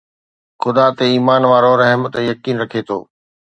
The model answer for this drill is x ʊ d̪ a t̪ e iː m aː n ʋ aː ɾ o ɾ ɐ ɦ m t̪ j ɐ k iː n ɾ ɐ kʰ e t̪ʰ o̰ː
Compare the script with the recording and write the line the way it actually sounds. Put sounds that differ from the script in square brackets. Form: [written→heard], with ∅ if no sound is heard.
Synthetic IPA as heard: x ʊ d̪ a t̪ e iː m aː n ʋ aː ɾ o ɾ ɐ ɦ m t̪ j ɐ k iː n ɾ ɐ kʰ e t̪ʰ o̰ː